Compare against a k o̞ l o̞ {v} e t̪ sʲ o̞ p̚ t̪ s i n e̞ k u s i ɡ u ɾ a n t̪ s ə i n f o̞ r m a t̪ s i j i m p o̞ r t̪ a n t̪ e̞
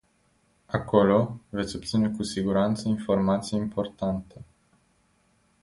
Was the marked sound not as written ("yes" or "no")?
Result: no